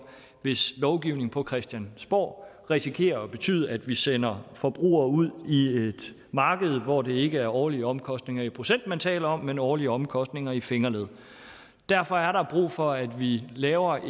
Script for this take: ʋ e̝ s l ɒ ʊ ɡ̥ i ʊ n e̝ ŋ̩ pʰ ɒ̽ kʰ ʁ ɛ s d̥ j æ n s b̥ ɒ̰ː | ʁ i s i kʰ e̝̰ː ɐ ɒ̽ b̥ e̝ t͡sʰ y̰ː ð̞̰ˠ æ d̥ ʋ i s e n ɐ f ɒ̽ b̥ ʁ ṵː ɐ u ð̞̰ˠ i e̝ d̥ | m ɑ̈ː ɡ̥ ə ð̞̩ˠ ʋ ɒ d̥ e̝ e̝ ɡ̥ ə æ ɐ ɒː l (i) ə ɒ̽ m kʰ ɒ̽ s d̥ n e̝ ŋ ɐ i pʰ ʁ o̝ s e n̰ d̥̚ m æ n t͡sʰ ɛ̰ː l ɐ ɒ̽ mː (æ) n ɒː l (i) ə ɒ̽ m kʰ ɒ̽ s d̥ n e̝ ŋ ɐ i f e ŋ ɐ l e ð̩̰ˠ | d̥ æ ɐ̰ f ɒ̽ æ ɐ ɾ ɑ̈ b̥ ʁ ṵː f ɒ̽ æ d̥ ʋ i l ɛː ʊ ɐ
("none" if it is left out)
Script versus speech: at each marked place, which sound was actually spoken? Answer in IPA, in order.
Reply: i, e, i

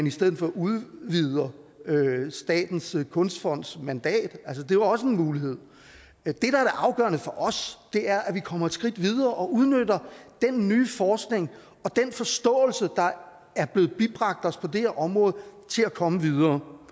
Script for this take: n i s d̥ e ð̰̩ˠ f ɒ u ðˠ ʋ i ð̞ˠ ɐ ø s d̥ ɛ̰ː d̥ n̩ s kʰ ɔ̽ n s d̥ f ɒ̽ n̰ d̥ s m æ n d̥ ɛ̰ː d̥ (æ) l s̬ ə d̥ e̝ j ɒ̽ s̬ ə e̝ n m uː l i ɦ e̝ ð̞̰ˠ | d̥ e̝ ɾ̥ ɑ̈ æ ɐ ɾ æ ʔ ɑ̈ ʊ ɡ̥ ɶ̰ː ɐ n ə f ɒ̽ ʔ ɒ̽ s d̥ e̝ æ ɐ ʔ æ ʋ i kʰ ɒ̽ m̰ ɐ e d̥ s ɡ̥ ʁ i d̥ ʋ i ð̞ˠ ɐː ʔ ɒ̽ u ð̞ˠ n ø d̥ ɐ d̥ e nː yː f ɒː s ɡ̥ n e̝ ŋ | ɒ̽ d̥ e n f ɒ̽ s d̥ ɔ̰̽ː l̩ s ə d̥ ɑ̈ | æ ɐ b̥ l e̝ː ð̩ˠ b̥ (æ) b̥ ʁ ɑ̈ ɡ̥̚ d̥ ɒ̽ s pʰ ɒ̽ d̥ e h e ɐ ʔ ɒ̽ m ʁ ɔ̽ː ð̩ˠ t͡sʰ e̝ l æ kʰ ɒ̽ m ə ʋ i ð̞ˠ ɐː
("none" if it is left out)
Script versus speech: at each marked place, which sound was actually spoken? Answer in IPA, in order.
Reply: æ, i

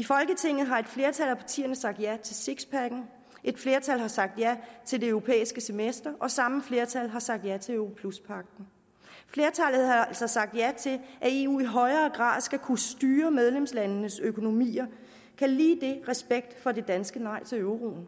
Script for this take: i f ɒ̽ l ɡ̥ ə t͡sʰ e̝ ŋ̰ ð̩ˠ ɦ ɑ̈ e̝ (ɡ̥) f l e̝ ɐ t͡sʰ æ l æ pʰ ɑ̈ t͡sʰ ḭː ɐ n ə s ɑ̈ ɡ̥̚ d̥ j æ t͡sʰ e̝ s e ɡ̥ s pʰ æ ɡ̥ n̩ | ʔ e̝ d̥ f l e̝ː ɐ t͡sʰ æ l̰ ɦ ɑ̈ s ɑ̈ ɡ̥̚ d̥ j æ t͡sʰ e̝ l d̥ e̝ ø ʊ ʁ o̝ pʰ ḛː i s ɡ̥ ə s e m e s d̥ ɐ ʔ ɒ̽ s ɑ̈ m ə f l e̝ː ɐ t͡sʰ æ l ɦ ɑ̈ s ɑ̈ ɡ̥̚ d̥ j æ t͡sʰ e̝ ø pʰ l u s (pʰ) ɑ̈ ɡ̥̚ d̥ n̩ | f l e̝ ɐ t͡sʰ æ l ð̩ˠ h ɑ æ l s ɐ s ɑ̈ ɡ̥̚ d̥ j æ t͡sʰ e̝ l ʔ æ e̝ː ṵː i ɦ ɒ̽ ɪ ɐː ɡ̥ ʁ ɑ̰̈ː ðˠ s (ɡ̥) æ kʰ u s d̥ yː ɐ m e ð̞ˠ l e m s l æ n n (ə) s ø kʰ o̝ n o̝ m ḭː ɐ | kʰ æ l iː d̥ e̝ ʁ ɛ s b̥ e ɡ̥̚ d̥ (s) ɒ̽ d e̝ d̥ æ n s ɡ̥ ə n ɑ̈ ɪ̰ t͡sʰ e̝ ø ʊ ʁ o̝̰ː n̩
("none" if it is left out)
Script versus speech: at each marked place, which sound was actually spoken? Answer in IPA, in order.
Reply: d̥, pʰ, ɡ̥, ə, f

